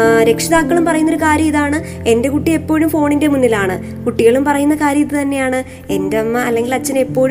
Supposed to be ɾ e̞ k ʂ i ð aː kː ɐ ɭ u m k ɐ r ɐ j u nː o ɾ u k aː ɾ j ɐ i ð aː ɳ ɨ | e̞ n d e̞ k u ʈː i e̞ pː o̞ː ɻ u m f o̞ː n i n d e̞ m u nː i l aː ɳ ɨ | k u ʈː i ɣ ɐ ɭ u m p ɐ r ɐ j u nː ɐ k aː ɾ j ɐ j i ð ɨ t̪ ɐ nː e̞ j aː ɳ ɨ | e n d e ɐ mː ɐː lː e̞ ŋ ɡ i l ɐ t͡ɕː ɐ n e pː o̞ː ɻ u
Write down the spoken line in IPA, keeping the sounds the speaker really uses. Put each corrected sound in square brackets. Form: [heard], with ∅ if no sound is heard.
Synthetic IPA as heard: ɾ e̞ k ʂ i ð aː kː ɐ ɭ u m [p] ɐ r ɐ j u nː o ɾ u k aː ɾ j ɐ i ð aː ɳ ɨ | e̞ n d e̞ k u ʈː i e̞ pː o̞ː ɻ u m f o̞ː [ɳ] i n d e̞ m u nː i l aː ɳ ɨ | k u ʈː i ɣ ɐ ɭ u m p ɐ r ɐ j u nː ɐ k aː ɾ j ɐ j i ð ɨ t̪ ɐ nː e̞ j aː ɳ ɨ | e n d e ɐ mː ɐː lː e̞ ŋ ɡ i l ɐ t͡ɕː ɐ n e pː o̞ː ɻ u